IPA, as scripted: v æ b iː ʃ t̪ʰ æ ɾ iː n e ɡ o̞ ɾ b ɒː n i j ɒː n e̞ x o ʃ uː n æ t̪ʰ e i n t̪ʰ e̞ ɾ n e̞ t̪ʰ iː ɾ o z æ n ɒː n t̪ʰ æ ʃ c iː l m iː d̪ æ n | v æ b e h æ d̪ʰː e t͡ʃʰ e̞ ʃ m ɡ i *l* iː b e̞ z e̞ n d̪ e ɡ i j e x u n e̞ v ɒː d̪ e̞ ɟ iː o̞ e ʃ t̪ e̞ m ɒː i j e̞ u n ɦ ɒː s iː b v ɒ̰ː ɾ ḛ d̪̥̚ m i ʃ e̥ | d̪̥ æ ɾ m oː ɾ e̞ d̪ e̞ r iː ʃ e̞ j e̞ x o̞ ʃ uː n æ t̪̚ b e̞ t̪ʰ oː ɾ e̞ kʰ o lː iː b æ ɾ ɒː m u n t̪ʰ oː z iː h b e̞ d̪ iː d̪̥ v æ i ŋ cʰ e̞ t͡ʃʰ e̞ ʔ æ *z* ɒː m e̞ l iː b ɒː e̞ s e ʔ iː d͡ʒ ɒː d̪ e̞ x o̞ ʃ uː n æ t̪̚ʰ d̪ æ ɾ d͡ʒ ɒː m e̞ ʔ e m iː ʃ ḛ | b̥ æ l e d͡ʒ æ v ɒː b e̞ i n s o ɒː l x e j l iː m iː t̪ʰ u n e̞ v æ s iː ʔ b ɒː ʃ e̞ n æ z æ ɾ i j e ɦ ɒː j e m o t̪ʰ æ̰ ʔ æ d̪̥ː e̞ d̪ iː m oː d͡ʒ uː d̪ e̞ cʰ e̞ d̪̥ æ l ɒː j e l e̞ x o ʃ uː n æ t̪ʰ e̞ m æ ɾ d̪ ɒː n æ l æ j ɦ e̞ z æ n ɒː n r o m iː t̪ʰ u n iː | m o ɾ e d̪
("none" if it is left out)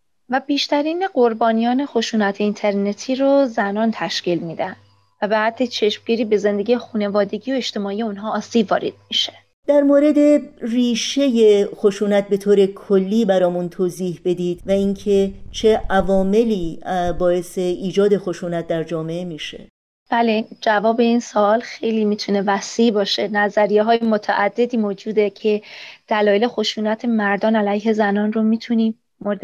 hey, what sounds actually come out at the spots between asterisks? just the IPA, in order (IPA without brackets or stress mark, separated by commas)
ɾ, v